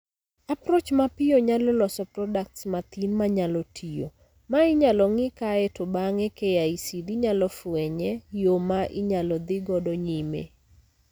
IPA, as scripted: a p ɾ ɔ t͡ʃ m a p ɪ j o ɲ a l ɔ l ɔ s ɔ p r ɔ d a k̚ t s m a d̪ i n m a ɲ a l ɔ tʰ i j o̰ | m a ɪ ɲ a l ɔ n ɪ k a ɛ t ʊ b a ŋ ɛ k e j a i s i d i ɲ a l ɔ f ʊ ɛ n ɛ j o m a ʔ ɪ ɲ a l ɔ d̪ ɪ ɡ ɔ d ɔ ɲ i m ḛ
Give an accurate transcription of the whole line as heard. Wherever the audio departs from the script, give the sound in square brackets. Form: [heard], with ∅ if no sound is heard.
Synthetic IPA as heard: a p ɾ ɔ t͡ʃ m a p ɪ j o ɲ a l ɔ l ɔ s ɔ p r ɔ d a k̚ t s m a [t̪] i n m a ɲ a l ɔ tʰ i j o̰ | m a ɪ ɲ a l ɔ [ŋ] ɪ k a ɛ t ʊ b a ŋ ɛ k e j a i s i d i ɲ a l ɔ f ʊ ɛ [ɲ] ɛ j o m a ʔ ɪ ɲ a l ɔ d̪ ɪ ɡ ɔ d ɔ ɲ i m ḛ

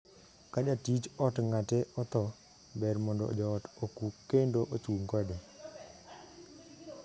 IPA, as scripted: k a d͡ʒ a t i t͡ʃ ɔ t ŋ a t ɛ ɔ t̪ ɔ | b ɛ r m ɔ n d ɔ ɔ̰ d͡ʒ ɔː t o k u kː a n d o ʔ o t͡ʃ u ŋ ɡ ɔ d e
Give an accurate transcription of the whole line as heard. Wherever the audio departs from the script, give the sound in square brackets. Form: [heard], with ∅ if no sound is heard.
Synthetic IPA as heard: k a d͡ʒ a t i t͡ʃ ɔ t ŋ a t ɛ ɔ t̪ ɔ | b ɛ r m ɔ n d ɔ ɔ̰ d͡ʒ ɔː t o k u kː [e] n d o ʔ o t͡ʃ u ŋ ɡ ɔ d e

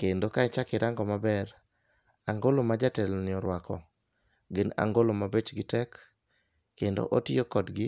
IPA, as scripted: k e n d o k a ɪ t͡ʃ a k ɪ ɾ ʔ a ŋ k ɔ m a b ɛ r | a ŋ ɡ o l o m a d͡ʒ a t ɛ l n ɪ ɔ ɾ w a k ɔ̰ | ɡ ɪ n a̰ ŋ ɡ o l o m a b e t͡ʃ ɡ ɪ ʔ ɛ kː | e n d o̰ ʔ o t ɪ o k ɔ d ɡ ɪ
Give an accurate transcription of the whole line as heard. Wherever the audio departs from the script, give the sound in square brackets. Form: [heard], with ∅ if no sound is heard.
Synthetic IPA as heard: k e n d o k a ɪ t͡ʃ a k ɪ ɾ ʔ a ŋ [ɡ] ɔ m a b ɛ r | a ŋ ɡ o l o m a d͡ʒ a t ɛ l n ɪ ɔ ɾ w a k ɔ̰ | ɡ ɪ n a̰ ŋ ɡ o l o m a b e t͡ʃ ɡ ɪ [t] ɛ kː | e n d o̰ ʔ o t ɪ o k ɔ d ɡ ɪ

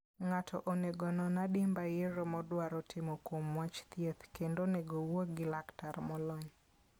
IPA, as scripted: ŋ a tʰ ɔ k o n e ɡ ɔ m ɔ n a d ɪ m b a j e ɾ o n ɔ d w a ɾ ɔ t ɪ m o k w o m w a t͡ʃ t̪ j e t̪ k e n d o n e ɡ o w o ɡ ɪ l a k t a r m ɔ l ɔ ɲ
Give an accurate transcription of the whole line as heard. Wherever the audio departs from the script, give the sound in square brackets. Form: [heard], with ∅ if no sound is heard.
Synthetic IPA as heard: ŋ a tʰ ɔ [ʔ] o n e ɡ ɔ [n] ɔ n a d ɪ m b a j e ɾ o [m] ɔ d w a ɾ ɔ t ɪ m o k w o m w a t͡ʃ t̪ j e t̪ k e n d o n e ɡ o w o ɡ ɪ l a k t a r m ɔ l ɔ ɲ

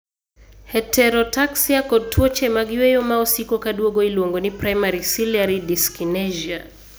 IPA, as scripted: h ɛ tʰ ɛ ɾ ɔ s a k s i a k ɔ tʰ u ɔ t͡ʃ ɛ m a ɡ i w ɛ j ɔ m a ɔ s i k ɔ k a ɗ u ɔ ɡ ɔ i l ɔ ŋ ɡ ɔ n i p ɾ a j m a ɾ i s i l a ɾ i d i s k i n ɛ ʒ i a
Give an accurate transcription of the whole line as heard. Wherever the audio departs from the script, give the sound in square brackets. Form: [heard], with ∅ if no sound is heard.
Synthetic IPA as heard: h ɛ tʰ ɛ ɾ ɔ [t] a k s i a k ɔ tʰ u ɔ t͡ʃ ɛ m a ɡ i w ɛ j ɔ m a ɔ s i k ɔ k a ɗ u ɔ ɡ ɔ i l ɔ ŋ ɡ ɔ n i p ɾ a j m a ɾ i s i l a ɾ i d i s k i n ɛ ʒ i a

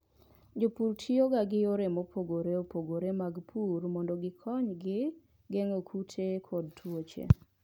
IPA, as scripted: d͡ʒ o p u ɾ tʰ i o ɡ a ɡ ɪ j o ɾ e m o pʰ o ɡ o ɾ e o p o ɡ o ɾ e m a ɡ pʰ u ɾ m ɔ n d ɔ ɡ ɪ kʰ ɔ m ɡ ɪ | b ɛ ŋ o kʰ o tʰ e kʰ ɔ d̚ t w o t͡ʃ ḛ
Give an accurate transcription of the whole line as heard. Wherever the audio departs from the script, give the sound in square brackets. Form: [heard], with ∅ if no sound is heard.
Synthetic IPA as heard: d͡ʒ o p u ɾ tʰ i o ɡ a ɡ ɪ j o ɾ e m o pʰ o ɡ o ɾ e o p o ɡ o ɾ e m a ɡ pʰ u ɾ m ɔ n d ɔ ɡ ɪ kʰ ɔ [ɲ] ɡ ɪ | [ɡ] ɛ ŋ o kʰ [u] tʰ e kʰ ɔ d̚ t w o t͡ʃ ḛ

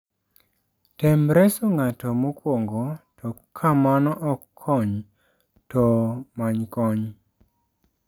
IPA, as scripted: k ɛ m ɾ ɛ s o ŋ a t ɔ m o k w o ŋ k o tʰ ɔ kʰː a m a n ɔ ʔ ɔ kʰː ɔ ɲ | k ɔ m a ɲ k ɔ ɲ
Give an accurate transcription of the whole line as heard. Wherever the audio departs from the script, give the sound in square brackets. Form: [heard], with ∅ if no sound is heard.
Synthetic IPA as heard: [t] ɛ m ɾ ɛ s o ŋ a t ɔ m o k w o ŋ [ɡ] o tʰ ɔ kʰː a m a n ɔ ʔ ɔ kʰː ɔ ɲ | [t] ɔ m a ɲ k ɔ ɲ

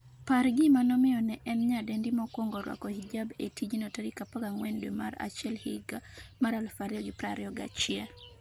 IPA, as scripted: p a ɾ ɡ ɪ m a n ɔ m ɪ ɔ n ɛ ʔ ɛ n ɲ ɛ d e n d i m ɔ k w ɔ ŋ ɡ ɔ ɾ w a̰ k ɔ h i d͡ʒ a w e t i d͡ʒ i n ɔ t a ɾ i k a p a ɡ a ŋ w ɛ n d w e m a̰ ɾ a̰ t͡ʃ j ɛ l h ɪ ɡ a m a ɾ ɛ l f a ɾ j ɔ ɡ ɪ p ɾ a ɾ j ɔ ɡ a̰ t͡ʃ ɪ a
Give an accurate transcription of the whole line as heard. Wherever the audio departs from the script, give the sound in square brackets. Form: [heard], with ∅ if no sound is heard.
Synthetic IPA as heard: p a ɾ ɡ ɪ m a n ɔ m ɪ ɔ n ɛ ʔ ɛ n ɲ [a] d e n d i m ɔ k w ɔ ŋ ɡ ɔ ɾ w a̰ k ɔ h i d͡ʒ a [b] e t i d͡ʒ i n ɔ t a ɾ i k a p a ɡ a ŋ w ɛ n d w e m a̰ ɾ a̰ t͡ʃ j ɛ l h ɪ ɡ a m a ɾ [a] l f a ɾ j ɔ ɡ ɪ p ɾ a ɾ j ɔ ɡ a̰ t͡ʃ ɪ a

